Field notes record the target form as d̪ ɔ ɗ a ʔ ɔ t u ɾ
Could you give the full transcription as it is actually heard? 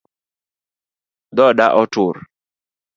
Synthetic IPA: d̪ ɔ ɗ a ʔ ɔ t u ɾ